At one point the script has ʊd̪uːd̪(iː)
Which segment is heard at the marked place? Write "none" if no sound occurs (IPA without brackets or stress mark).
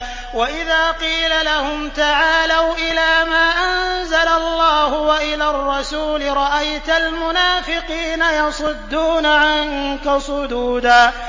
aː